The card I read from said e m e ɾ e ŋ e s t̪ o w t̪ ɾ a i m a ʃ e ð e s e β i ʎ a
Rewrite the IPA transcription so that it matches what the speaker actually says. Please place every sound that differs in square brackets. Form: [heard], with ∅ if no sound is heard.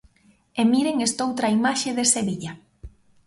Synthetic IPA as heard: e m [i] ɾ e ŋ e s t̪ o w t̪ ɾ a i m a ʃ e ð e s e β i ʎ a